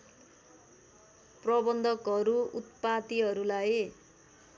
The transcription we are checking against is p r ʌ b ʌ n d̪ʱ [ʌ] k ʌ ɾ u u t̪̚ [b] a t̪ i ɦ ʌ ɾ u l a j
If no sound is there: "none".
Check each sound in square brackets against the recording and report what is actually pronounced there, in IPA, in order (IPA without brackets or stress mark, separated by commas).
ʌ, p